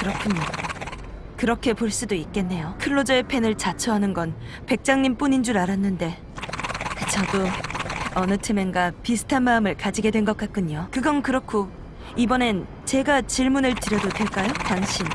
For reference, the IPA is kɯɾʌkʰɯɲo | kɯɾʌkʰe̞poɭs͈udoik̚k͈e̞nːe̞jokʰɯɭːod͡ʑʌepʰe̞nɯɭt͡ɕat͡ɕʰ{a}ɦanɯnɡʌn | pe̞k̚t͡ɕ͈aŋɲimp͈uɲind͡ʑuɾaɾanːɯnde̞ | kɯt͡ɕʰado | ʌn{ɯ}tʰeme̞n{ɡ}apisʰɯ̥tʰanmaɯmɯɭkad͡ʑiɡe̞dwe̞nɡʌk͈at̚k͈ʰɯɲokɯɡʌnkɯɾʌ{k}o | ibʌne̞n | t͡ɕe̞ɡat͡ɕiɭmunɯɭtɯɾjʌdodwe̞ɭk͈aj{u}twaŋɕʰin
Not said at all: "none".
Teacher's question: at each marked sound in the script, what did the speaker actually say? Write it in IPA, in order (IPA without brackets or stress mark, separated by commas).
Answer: ʌ, ɯ, ɡ, kʰ, o